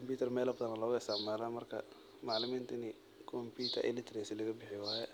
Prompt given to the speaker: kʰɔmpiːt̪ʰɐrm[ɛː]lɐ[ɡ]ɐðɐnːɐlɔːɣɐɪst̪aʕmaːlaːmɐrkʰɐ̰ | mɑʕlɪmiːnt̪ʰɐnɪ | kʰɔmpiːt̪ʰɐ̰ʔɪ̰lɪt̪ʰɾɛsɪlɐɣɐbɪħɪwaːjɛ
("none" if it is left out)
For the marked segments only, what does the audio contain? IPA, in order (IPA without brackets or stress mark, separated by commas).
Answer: ɛː, b